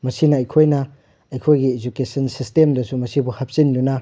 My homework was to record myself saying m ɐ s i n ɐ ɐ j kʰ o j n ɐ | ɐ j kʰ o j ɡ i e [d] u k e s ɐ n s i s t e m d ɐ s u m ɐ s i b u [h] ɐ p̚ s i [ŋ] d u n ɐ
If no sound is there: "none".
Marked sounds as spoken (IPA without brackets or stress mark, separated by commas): d͡ʒ, h, n